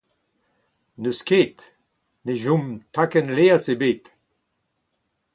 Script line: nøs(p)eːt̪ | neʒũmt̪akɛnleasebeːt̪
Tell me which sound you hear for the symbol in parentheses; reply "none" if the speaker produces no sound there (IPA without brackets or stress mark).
k